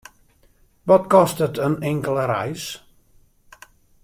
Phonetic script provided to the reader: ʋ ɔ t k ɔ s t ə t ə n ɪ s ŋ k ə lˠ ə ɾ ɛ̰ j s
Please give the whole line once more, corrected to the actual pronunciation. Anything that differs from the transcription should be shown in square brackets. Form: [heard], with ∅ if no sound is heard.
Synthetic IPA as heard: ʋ ɔ t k ɔ s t ə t ə n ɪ [∅] ŋ k ə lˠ ə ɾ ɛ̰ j s